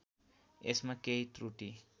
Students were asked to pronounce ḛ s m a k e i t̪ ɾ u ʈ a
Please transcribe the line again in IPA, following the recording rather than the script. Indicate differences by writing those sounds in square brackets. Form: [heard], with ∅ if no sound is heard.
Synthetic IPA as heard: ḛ s m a k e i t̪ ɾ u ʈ [i]